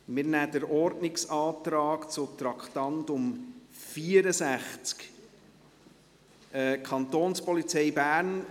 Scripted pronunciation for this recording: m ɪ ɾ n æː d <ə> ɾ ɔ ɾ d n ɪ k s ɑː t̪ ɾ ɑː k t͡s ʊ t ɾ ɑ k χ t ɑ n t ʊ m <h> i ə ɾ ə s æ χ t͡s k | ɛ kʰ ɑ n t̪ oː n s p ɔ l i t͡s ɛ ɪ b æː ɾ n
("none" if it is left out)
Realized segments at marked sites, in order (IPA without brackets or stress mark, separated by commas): ə, f